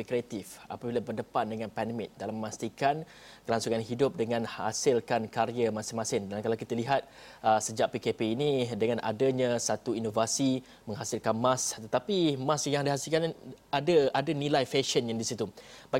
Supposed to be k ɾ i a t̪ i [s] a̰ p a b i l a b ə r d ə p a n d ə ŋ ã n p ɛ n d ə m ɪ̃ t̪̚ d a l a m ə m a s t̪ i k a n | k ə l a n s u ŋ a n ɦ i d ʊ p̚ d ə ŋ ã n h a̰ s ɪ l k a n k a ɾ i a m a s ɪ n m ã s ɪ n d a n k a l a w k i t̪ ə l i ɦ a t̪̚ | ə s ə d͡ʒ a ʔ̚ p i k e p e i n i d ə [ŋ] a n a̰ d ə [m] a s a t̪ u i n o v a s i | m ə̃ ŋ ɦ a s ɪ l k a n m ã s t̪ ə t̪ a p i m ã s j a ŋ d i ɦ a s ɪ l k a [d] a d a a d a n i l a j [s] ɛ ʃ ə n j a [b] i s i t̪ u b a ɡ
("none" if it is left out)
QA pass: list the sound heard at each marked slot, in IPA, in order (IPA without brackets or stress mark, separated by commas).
f, ŋ, ɲ, n, f, d